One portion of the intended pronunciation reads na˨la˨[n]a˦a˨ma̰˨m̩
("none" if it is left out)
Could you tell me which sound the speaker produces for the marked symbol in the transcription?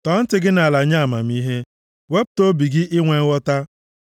ɲ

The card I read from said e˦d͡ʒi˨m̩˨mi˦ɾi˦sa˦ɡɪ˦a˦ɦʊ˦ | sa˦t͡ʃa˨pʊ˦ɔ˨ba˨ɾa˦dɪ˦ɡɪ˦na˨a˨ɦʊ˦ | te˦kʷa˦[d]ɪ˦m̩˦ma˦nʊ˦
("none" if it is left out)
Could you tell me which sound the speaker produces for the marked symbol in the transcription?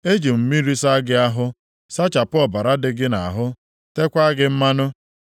ɡ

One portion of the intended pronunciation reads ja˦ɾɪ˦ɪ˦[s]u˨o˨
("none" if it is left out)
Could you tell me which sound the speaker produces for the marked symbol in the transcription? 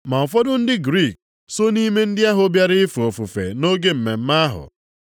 f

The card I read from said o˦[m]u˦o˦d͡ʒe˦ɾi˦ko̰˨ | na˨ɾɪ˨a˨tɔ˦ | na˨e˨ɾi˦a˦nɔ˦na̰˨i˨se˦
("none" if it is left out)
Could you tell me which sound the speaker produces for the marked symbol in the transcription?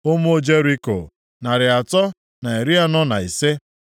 m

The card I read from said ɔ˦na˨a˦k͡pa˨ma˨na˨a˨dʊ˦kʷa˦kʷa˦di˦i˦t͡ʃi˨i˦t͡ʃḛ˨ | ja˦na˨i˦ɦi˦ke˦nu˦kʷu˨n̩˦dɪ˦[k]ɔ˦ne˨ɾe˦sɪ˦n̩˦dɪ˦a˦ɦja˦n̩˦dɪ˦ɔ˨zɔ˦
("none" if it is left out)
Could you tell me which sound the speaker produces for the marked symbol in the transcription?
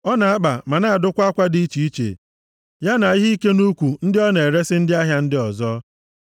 none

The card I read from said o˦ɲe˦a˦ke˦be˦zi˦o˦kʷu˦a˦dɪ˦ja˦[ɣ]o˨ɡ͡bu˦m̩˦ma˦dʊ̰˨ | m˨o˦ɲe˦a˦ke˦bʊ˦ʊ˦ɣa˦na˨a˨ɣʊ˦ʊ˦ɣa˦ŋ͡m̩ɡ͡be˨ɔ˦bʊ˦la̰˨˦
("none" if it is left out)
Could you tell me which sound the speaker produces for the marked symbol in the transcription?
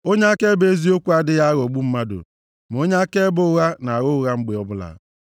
ɣ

